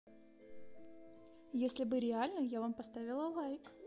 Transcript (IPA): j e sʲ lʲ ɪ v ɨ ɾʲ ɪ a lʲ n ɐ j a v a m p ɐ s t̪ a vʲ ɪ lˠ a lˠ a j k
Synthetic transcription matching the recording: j e sʲ lʲ ɪ b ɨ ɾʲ ɪ a lʲ n ə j a v a m p ɐ s t̪ a vʲ ɪ lˠ ə lˠ a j k

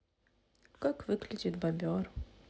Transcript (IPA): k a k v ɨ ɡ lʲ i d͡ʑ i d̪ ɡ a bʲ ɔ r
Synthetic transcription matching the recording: k a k v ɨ k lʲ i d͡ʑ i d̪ b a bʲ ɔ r

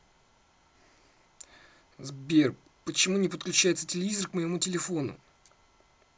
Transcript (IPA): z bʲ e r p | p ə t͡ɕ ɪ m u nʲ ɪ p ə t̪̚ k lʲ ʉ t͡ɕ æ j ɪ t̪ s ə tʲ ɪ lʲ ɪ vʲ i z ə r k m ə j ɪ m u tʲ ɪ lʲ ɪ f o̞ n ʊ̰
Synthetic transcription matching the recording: z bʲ e r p | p ə t͡ɕ ɪ m u nʲ ɪ p ə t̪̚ k lʲ ʉ t͡ɕ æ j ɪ t̪ s ə tʲ ɪ lʲ ɪ vʲ i z ə r k m ə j ɪ m u tʲ ɪ lʲ ɪ f o̞ n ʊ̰

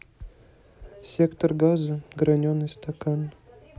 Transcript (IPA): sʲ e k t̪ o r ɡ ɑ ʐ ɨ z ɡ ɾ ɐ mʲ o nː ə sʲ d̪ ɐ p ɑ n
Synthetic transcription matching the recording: sʲ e k t̪ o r ɡ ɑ z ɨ ɡ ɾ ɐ nʲ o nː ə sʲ t̪ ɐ k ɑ n

